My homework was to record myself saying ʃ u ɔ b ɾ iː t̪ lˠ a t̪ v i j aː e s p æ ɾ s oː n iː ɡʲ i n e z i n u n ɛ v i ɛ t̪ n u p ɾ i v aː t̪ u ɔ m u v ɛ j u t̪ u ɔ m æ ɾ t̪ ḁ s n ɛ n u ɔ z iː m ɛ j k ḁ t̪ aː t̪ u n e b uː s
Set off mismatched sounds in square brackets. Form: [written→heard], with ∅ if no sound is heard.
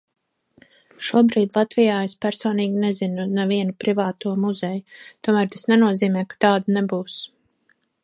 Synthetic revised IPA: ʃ u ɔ b ɾ iː [t̪→d̪] lˠ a t̪ v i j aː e s p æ ɾ s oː n iː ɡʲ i n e z i n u n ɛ v i ɛ [t̪→∅] n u p ɾ i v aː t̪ u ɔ m u [v→z] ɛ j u t̪ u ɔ m æ ɾ t̪ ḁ s n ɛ n u ɔ z iː m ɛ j k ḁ t̪ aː [t̪→d̪] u n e b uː s